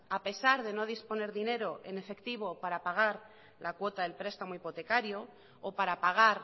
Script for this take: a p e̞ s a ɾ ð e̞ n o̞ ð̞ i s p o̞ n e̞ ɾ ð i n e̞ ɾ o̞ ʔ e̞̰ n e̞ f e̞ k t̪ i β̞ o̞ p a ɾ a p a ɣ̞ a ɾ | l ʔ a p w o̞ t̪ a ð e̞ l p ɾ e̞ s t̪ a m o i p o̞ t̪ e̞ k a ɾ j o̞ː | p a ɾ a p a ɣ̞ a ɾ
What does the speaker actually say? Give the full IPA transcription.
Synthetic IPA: a p e̞ s a ɾ ð e̞ n o̞ ð̞ i s p o̞ n e̞ ɾ ð i n e̞ ɾ o̞ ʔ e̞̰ n e̞ f e̞ k t̪ i β̞ o̞ p a ɾ a p a ɣ̞ a ɾ | l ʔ a k w o̞ t̪ a ð e̞ l p ɾ e̞ s t̪ a m o i p o̞ t̪ e̞ k a ɾ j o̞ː | p a ɾ a p a ɣ̞ a ɾ